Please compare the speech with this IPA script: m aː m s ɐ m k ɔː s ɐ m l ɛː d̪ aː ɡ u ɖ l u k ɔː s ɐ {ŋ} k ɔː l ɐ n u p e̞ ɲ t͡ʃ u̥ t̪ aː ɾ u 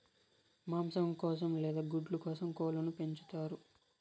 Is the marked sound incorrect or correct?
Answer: incorrect